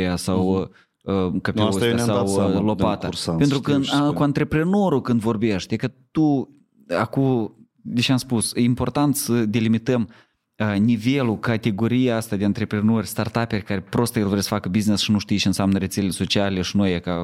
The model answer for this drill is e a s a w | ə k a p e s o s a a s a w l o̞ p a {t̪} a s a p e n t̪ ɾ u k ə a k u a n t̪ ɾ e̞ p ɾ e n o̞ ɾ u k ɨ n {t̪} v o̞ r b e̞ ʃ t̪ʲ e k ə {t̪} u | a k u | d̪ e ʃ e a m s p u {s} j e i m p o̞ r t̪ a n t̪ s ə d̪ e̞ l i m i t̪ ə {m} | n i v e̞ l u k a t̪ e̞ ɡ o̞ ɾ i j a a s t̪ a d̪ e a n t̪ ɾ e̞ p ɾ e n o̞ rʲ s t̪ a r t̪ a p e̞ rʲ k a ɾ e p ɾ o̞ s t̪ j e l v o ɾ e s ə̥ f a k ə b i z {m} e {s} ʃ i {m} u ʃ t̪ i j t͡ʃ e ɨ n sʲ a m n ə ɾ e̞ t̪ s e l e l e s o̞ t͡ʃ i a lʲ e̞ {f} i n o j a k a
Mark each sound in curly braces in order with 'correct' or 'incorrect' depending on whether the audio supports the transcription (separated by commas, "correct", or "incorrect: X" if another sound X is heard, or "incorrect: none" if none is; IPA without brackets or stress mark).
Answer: correct, incorrect: d̪, correct, correct, correct, incorrect: n, correct, incorrect: n, incorrect: ʃ